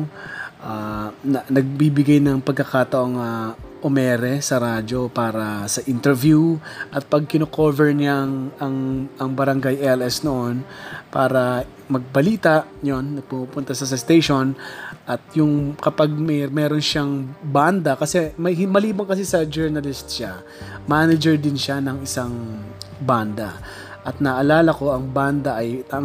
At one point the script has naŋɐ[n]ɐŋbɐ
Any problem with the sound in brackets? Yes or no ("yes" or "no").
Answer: yes